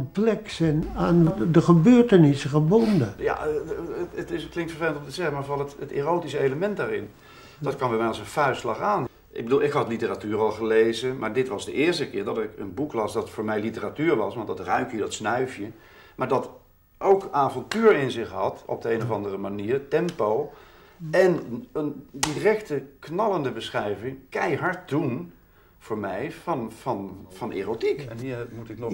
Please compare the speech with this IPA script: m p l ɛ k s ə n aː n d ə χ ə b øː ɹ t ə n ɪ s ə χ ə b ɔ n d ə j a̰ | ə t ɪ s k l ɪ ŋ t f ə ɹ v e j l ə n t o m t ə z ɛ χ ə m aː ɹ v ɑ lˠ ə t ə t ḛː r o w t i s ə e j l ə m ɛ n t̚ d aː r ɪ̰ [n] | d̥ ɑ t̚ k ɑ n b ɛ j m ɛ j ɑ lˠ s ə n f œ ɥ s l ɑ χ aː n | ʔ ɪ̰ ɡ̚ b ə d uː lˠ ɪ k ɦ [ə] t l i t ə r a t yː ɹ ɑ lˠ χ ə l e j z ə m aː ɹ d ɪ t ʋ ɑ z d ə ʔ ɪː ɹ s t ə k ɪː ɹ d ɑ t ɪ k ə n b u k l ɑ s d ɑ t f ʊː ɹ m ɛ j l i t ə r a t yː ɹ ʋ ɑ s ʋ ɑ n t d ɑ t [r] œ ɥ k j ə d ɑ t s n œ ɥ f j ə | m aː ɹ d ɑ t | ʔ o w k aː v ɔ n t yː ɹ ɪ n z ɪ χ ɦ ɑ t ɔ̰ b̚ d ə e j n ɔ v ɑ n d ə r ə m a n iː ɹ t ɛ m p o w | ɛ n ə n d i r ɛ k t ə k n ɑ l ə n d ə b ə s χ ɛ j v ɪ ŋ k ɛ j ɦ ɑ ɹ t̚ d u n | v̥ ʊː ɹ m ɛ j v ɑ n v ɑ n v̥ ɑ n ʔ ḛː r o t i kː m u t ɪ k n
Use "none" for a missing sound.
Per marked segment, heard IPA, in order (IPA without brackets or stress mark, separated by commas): n, ɑ, r